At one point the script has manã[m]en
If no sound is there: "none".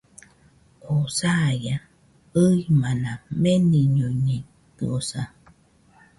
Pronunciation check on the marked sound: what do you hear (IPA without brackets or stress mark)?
m